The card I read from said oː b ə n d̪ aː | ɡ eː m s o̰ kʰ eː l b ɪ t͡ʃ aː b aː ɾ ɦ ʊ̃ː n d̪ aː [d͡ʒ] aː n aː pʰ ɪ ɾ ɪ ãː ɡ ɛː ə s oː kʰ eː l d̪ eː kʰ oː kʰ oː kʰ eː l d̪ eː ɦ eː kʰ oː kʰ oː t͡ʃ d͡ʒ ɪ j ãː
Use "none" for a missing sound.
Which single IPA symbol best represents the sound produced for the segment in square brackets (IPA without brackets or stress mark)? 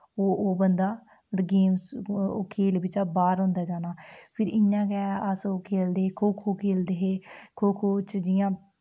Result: d͡ʒ